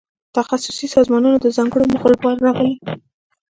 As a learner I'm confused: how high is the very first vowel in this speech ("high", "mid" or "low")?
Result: low